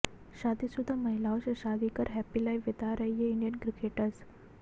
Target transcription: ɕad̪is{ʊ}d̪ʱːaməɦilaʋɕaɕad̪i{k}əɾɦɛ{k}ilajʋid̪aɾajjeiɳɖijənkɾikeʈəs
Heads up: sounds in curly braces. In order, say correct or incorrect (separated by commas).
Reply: incorrect, correct, incorrect